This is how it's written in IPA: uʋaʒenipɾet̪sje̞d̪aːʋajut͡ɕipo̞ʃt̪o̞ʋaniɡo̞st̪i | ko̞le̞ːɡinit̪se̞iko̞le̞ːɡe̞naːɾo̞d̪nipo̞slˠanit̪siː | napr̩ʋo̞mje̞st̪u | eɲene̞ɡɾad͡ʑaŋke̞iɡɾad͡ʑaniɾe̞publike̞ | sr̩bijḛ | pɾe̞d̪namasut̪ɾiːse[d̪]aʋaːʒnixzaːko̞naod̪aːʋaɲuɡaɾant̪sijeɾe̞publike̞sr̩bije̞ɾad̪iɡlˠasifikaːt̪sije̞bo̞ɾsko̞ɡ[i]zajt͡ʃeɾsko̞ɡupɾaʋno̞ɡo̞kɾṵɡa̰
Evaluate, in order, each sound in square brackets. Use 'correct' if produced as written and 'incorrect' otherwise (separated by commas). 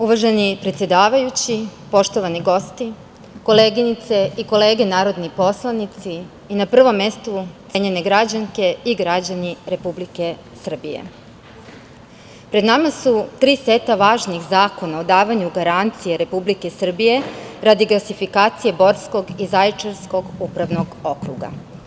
incorrect, correct